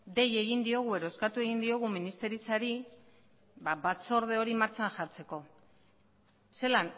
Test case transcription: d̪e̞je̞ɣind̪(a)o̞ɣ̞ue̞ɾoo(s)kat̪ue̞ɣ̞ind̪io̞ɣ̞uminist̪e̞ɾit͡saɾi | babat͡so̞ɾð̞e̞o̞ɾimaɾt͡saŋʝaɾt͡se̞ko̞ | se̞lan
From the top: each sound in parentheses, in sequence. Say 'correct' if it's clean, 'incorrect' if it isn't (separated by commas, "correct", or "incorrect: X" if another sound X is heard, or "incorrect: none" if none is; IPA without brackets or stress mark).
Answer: incorrect: i, correct